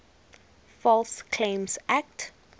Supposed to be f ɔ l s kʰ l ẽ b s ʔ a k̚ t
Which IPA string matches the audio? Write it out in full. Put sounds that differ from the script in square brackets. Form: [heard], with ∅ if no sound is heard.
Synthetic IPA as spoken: f ɔ l s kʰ l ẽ [m] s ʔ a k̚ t